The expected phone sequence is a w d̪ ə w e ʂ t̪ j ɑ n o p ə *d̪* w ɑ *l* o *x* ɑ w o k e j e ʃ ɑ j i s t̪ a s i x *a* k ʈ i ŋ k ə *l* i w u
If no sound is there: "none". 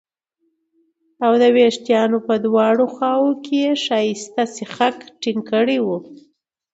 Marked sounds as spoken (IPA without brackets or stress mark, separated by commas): d̪, ɽ, x, a, ɽ